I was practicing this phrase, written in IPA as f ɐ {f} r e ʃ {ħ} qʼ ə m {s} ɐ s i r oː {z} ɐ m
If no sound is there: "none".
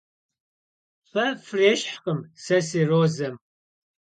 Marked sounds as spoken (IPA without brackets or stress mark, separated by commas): f, ħ, s, z